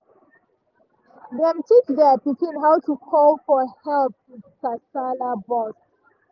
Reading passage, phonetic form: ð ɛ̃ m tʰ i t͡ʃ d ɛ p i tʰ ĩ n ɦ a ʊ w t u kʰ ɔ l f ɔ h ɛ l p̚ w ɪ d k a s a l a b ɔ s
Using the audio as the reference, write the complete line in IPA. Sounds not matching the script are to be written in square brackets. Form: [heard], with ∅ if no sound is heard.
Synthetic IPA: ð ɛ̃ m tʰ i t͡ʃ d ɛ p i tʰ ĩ n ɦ a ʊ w t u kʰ ɔ l f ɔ h ɛ l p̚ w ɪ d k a s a l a b ɔ s